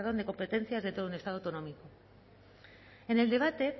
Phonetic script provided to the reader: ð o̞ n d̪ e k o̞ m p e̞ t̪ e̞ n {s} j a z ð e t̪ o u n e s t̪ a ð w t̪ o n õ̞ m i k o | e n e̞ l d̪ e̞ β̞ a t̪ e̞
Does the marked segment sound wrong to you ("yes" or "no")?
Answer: yes